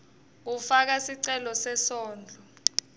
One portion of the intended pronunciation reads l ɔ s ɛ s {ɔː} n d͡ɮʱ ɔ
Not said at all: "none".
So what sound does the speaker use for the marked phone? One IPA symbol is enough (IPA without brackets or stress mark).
ɔː